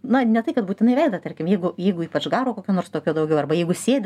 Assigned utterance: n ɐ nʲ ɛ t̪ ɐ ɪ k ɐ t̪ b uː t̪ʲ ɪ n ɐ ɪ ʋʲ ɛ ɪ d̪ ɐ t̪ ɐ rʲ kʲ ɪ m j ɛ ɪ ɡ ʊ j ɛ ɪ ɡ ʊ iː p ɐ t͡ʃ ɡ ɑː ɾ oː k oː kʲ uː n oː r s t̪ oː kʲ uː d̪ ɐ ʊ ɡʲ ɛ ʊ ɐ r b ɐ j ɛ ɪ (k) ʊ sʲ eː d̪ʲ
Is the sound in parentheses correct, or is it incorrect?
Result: incorrect